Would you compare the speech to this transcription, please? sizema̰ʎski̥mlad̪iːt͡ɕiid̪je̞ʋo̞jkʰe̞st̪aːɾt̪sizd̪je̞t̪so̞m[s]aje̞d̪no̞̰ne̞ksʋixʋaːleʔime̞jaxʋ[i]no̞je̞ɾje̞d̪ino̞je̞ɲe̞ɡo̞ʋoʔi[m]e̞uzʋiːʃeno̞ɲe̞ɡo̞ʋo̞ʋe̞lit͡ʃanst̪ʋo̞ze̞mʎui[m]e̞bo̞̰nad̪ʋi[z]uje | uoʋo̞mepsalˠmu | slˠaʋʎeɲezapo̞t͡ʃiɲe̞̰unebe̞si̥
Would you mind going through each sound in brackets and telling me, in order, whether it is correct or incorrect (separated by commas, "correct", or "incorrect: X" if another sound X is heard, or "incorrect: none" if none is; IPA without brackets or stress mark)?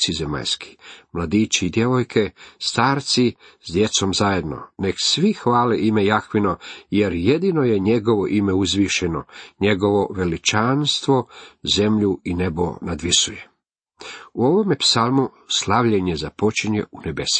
incorrect: z, correct, correct, incorrect: n, incorrect: s